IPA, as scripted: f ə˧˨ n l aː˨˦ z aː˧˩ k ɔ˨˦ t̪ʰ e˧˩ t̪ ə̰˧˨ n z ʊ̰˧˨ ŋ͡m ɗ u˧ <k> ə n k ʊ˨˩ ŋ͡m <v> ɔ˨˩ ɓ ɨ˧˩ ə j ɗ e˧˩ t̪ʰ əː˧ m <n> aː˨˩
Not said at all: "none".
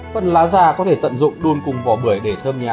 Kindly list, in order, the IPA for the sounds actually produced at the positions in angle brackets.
none, v, ɲ

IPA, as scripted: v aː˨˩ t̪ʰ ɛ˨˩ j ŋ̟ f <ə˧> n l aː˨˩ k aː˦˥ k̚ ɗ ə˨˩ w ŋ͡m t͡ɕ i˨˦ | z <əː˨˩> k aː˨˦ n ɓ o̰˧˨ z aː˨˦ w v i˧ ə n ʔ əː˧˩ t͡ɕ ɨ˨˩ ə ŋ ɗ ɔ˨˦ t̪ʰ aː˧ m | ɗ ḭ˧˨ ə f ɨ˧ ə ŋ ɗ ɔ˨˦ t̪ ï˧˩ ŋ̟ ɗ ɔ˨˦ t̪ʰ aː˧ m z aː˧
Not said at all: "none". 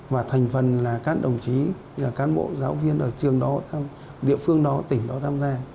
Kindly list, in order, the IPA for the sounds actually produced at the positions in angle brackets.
ə˨˩, aː˨˩

